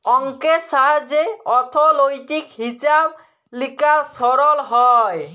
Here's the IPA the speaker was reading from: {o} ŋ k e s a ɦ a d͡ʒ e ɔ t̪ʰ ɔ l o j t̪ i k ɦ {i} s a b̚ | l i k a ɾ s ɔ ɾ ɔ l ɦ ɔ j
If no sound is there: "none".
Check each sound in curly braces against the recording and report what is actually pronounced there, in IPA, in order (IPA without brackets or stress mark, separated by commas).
ɔ, i